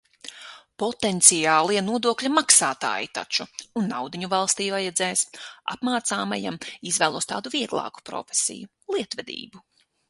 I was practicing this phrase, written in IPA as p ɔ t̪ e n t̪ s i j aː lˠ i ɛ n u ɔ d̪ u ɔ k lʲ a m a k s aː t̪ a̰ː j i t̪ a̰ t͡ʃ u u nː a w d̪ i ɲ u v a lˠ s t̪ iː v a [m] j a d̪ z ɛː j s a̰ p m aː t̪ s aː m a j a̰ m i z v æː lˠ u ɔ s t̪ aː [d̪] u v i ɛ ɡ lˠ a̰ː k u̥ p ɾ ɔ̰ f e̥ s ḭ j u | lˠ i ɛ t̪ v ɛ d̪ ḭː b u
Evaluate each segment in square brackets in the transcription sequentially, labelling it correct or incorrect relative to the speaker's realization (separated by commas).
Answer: incorrect, correct